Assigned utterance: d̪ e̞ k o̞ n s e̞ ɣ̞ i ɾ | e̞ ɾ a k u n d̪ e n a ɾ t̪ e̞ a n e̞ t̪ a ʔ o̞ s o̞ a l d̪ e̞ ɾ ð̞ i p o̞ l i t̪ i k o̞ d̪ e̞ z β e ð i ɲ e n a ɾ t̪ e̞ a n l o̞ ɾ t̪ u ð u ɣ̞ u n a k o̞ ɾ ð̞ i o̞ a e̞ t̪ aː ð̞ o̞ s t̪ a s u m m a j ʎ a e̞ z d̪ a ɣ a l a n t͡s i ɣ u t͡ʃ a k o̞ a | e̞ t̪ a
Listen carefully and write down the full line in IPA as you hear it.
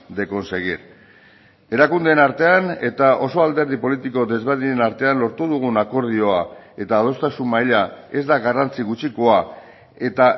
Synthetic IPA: d̪ e̞ k o̞ n s e̞ ɣ̞ i ɾ | e̞ ɾ a k u n d̪ e n a ɾ t̪ e̞ a n e̞ t̪ a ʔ o̞ s o̞ a l d̪ e̞ ɾ ð̞ i p o̞ l i t̪ i k o̞ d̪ e̞ z β e ð i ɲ e n a ɾ t̪ e̞ a n l o̞ ɾ t̪ u ð u ɣ̞ u n a k o̞ ɾ ð̞ i o̞ a e̞ t̪ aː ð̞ o̞ s t̪ a s u m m a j ʎ a e̞ z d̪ a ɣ a r a n t͡s i ɣ u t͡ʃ i k o̞ a | e̞ t̪ a